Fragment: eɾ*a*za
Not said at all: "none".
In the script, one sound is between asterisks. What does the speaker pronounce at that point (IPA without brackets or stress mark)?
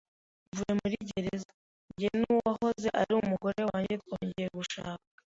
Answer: e